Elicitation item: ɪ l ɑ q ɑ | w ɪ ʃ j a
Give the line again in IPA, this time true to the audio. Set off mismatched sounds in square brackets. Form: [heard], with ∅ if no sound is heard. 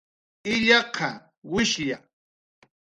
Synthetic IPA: ɪ [ʎ] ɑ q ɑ | w ɪ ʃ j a

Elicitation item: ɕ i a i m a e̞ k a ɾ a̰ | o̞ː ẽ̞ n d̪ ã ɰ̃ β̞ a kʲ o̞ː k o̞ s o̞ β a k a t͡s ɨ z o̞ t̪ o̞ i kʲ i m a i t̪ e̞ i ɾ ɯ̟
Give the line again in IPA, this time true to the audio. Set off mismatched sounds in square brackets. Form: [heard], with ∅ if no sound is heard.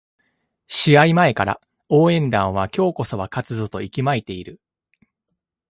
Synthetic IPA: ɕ i a i m a e̞ k a ɾ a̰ | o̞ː ẽ̞ n d̪ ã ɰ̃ β̞ a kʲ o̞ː k o̞ s o̞ β a k a t͡s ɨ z o̞ t̪ o̞ i kʲ i m a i t̪ e̞ i ɾ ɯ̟

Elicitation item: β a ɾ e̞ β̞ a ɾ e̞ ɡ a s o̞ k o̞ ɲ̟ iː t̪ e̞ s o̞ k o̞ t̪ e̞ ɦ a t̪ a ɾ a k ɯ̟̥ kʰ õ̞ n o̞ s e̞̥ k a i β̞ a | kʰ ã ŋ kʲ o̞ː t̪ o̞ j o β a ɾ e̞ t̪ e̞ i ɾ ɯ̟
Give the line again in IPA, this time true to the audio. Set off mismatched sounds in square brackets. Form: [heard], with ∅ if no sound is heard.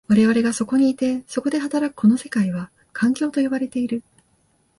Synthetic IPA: β a ɾ e̞ β̞ a ɾ e̞ ɡ a s o̞ k o̞ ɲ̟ iː t̪ e̞ s o̞ k o̞ [d̪] e̞ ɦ a t̪ a ɾ a k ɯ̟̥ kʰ [o̞] n o̞ s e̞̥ k a i β̞ a | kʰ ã ŋ kʲ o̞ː t̪ o̞ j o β a ɾ e̞ t̪ e̞ i ɾ ɯ̟

